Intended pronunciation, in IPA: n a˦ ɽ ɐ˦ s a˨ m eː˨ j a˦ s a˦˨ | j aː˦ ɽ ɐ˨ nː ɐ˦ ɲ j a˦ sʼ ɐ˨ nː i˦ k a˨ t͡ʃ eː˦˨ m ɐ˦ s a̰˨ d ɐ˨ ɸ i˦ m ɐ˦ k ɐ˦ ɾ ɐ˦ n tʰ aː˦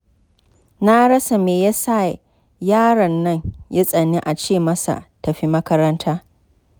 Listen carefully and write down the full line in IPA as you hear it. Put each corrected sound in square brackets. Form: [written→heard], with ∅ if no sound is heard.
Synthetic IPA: n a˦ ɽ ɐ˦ s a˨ m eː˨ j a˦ s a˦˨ | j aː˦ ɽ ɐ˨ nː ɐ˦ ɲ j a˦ sʼ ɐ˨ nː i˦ [k→ʔ] a˨ t͡ʃ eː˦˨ m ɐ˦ s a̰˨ [d→t] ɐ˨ ɸ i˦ m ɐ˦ k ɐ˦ ɾ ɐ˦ n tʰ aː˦